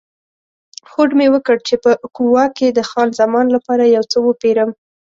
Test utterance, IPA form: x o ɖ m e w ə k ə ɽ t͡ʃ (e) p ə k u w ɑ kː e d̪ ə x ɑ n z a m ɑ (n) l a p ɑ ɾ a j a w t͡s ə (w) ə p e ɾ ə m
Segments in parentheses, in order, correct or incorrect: correct, correct, correct

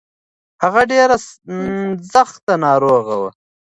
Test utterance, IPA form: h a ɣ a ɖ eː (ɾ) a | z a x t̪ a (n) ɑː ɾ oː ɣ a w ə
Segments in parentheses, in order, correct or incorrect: correct, correct

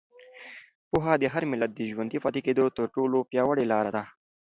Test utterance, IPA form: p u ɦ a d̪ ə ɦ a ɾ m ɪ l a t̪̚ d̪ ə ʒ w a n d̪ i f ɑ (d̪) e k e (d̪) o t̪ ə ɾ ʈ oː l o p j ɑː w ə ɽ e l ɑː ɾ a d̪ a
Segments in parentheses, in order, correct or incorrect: incorrect: t̪, correct

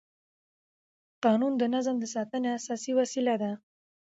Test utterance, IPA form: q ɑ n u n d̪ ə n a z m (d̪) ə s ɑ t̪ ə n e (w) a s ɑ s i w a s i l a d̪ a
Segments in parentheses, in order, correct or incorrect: correct, incorrect: none

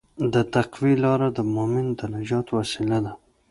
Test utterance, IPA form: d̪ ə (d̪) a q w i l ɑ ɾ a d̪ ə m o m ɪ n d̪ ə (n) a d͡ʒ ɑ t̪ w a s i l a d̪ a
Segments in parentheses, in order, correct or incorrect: incorrect: t̪, correct

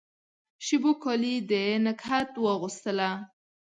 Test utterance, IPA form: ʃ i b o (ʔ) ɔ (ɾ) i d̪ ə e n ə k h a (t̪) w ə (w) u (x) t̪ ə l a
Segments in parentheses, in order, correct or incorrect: incorrect: k, incorrect: l, correct, incorrect: ɣ, incorrect: s

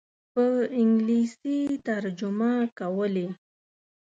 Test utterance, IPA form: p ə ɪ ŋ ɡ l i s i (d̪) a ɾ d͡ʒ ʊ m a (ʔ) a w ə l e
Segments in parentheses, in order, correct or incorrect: incorrect: t̪, incorrect: k

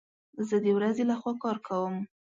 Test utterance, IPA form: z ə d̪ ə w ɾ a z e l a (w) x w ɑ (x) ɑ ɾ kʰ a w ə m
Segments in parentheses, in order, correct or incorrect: incorrect: none, incorrect: k

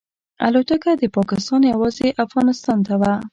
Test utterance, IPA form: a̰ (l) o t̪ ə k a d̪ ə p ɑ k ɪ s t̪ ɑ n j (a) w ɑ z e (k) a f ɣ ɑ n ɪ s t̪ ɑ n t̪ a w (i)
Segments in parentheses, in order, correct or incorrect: correct, correct, incorrect: ʔ, incorrect: a

